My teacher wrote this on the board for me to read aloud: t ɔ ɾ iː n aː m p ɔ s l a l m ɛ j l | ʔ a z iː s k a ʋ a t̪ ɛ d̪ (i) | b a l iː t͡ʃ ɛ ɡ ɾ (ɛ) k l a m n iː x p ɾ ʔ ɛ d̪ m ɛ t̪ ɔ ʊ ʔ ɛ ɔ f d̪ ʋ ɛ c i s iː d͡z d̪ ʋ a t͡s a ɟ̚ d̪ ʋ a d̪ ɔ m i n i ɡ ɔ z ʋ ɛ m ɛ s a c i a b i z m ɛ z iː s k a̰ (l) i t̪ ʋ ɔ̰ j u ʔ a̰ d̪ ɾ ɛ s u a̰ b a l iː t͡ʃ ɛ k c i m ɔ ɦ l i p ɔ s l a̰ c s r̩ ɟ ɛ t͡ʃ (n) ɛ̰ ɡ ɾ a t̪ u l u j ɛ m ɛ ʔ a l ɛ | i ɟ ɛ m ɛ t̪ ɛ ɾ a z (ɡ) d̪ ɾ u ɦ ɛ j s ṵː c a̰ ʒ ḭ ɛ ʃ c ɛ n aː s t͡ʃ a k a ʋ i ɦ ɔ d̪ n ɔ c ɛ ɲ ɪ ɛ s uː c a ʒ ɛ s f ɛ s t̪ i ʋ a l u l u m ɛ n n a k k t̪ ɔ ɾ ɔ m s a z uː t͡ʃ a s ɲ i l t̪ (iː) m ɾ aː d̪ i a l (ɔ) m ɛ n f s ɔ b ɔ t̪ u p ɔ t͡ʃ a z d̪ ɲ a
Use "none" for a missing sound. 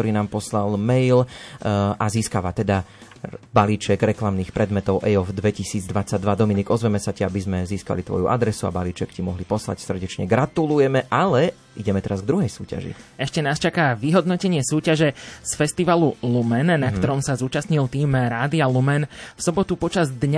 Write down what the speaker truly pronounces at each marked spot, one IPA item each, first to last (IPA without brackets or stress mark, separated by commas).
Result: a, ɛ, l, ɲ, ɡ, iː, u